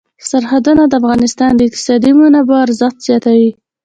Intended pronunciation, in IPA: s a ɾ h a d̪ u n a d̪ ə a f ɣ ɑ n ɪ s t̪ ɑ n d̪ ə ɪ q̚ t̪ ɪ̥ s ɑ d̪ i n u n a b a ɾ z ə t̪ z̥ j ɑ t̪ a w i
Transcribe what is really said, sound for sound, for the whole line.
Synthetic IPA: s a ɾ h a d̪ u n a d̪ ə a f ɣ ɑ n ɪ s t̪ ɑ n d̪ ə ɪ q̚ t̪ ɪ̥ s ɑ d̪ i m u n a b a ɾ z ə t̪ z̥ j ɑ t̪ a w i